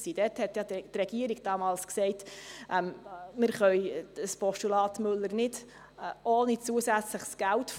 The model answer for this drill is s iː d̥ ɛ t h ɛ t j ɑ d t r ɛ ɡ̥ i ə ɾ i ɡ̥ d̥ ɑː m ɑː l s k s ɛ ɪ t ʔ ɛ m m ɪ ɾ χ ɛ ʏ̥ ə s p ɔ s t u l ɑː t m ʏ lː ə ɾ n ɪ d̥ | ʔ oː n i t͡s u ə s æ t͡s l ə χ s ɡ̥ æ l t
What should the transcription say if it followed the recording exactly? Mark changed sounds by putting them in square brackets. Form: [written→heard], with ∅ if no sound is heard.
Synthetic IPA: s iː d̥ ɛ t h ɛ t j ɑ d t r ɛ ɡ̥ i ə ɾ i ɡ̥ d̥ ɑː m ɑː l s k s ɛ ɪ t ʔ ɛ m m ɪ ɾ χ [ɛ→œ] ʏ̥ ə s p ɔ [s→ʃ] t u l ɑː t m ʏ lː ə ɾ n ɪ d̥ | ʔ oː n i t͡s u ə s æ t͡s l ə χ s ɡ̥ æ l t